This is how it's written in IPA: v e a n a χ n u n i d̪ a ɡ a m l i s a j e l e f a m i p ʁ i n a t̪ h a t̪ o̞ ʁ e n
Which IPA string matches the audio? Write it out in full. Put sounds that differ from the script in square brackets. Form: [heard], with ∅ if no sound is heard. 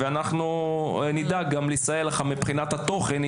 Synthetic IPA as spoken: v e a n a χ n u n i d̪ a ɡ a m l i s a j e l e [χ] a m i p [χ] i n a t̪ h a t̪ o̞ [χ] e n